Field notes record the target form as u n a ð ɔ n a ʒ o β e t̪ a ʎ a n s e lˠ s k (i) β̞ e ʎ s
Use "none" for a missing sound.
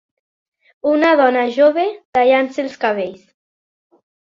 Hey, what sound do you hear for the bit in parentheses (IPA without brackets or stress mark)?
a